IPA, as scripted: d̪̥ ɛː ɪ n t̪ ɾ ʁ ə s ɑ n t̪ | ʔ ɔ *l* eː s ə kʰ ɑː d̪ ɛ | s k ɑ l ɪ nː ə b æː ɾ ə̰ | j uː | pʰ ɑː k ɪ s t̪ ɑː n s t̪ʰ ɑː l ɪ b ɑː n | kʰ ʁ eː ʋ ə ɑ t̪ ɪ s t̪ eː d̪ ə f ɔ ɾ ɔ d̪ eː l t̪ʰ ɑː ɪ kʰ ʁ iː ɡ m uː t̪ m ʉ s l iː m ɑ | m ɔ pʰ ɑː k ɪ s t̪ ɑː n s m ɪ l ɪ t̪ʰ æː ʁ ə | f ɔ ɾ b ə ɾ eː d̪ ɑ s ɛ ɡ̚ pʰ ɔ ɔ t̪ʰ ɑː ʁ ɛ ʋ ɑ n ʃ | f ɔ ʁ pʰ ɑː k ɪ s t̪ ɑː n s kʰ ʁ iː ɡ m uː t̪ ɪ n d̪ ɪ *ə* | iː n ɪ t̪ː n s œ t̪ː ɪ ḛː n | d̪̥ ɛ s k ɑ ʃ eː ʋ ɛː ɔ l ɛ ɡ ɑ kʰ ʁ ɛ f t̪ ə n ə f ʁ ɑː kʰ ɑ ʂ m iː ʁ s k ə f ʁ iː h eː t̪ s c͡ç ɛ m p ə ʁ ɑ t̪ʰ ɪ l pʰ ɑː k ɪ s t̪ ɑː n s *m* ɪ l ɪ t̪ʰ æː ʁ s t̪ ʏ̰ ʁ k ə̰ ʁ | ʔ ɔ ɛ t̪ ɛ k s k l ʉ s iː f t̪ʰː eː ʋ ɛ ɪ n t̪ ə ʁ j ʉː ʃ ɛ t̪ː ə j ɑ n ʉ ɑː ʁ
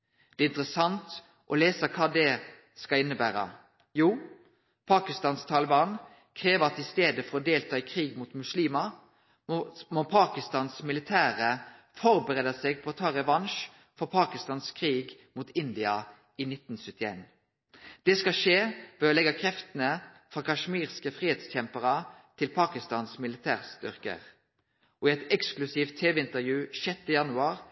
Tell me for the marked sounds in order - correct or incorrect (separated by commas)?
correct, incorrect, correct